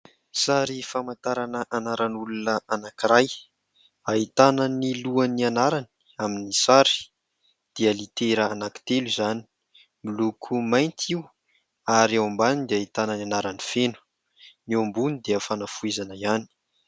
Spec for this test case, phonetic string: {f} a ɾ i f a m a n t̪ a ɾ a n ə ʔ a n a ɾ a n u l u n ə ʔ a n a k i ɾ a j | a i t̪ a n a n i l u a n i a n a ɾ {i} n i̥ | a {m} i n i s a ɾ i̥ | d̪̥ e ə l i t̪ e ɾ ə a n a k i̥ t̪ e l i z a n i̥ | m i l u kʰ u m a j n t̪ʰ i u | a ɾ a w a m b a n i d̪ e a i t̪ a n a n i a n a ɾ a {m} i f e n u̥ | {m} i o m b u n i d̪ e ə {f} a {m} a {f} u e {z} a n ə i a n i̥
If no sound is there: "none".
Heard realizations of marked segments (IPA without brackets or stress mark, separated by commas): s, a, m, n, n, f, n, f, z